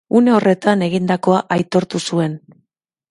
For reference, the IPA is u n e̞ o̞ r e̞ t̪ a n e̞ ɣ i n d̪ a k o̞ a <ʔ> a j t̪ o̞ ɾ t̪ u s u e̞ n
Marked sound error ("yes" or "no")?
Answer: no